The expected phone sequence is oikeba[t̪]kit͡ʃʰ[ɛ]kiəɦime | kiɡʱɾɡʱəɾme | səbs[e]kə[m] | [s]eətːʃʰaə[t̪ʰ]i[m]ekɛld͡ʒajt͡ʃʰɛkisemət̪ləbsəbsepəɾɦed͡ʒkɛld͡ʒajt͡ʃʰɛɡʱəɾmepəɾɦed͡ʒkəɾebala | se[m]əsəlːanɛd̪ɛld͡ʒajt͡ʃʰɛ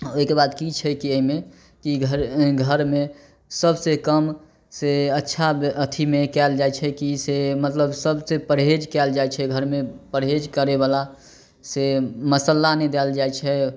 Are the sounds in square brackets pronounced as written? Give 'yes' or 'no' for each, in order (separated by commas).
no, yes, yes, yes, yes, yes, yes, yes